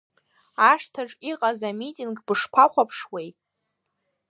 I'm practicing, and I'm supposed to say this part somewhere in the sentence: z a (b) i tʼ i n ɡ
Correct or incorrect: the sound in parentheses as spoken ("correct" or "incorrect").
incorrect